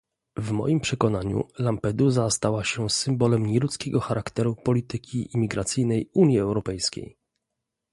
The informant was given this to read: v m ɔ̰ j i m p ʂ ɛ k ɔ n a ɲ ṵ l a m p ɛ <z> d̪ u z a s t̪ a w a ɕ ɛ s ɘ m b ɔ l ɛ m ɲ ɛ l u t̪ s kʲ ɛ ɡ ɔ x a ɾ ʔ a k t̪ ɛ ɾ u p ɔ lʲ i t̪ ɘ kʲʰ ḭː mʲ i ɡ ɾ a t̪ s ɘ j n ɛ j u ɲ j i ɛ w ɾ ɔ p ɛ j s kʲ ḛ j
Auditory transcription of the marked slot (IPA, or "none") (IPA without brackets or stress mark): none